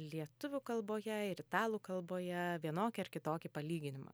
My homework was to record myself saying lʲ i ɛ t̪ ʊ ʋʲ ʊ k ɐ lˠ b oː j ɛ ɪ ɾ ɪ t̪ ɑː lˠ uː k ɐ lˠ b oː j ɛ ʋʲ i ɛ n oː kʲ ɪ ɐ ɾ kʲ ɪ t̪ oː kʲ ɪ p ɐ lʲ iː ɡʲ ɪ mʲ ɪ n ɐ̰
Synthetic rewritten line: lʲ i ɛ t̪ ʊ ʋʲ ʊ k ɐ lˠ b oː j ɛ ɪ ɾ ɪ t̪ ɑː lˠ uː k ɐ lˠ b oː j ɛ ʋʲ i ɛ n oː kʲ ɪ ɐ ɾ kʲ ɪ t̪ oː kʲ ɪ p ɐ lʲ iː ɡʲ ɪ nʲ ɪ m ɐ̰